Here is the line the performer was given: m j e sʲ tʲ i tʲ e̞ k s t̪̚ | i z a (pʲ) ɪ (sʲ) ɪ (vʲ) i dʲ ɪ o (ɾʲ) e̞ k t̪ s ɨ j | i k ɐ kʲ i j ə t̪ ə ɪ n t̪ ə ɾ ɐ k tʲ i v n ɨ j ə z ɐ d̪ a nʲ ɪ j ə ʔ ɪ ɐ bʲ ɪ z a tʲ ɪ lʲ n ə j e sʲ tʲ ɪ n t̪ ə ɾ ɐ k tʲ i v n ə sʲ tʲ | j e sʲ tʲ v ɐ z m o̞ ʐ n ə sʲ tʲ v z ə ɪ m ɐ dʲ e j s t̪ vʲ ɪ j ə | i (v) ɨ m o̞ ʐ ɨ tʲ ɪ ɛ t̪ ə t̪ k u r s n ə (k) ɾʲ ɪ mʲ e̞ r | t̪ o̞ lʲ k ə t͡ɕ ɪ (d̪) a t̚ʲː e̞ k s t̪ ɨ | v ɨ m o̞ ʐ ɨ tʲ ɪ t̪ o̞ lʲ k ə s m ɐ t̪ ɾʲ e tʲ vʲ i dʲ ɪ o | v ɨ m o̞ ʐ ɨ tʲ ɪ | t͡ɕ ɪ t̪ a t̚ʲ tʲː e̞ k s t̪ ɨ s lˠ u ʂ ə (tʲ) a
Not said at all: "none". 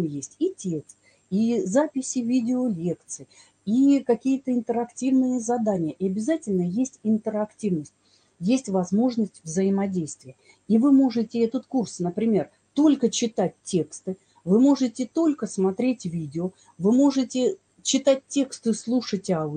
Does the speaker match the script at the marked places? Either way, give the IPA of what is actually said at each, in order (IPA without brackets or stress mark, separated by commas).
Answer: pʲ, sʲ, vʲ, lʲ, v, p, t̪, tʲ